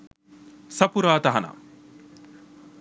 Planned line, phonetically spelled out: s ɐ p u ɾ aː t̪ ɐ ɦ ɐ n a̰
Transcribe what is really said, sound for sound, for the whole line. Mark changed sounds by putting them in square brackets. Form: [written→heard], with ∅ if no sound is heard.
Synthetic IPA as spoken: s ɐ p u ɾ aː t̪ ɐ ɦ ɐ n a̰